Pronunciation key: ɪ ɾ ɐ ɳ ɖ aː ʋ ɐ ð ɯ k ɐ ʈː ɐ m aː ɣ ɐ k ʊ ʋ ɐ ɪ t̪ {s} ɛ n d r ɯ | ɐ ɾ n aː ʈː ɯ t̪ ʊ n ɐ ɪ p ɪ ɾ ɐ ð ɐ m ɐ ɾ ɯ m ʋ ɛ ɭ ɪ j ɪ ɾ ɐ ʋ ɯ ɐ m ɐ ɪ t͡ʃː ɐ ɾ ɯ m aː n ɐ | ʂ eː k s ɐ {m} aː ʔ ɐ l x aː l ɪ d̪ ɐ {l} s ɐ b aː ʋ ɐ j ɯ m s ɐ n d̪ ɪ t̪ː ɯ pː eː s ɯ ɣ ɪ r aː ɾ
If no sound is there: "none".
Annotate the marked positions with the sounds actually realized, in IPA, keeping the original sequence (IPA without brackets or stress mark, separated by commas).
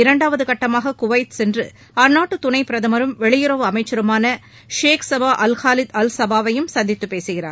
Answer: s, b, l